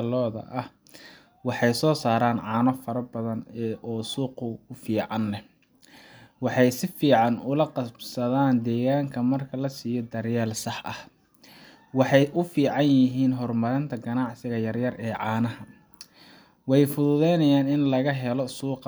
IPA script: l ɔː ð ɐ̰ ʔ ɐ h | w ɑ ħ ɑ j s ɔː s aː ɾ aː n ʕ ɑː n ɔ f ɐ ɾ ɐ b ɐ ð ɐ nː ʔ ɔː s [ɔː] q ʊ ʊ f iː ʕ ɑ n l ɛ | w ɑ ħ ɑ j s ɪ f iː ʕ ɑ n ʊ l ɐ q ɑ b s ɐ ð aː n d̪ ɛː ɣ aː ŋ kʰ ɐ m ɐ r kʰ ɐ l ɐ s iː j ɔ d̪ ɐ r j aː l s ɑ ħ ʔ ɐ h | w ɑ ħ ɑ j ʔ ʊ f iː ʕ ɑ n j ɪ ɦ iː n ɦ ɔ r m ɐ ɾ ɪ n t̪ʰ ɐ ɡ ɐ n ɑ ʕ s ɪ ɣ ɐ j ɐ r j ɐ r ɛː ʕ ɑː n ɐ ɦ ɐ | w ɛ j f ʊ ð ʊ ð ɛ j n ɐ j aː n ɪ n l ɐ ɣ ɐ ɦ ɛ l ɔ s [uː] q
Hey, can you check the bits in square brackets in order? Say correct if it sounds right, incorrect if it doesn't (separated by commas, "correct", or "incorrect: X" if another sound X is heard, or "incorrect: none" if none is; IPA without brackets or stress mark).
incorrect: uː, correct